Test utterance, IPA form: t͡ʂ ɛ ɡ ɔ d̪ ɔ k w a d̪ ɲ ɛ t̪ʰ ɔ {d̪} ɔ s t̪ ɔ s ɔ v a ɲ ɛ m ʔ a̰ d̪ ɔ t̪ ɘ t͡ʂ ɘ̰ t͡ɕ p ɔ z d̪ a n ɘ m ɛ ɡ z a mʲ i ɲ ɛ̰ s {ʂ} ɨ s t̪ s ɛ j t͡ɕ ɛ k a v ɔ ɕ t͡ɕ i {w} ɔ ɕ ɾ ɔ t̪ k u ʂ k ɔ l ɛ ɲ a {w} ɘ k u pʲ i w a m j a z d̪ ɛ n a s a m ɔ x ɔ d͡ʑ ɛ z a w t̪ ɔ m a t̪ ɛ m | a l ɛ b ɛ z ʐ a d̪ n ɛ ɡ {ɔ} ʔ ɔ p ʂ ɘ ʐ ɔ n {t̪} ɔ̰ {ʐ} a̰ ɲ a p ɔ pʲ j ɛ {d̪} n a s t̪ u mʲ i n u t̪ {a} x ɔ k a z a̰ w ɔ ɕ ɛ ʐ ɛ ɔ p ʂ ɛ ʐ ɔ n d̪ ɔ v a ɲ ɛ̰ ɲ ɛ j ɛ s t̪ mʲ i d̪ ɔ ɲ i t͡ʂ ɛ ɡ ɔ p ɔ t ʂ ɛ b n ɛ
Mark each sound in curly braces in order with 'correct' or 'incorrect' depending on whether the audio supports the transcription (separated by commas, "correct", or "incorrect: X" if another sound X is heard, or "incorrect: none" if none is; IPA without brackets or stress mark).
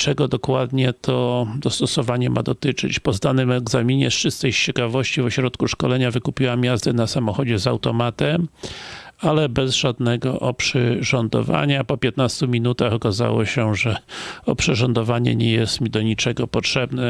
correct, correct, incorrect: v, incorrect: v, correct, incorrect: d̪, incorrect: v, incorrect: t̪, correct